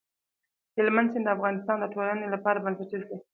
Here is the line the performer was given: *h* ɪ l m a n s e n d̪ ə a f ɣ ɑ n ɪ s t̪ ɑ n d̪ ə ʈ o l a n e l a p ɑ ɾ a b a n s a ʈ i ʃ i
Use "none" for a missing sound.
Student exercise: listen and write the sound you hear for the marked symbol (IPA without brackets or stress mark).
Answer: h